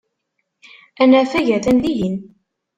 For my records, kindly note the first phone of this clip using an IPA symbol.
æ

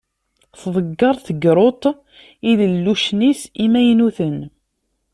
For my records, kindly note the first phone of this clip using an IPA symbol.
θ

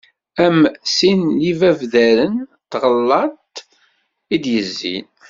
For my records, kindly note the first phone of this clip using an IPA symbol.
æ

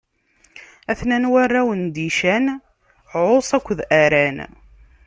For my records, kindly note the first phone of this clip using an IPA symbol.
æ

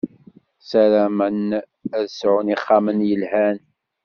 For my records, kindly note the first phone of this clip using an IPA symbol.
s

